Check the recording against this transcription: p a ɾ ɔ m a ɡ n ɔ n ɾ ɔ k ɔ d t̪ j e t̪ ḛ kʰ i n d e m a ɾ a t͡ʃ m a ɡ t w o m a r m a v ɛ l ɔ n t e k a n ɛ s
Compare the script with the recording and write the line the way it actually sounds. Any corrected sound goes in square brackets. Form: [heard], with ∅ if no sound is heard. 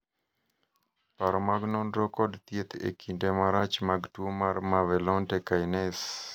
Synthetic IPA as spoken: p a ɾ ɔ m a ɡ n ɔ n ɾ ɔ k ɔ d t̪ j e t̪ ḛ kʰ i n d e m a ɾ a t͡ʃ m a ɡ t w o m a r m a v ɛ l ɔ n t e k a n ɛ s